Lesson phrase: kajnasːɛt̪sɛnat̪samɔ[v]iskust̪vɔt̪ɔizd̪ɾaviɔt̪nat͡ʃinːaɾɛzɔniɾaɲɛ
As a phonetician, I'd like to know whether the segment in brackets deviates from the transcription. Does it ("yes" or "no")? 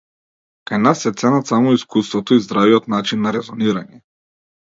yes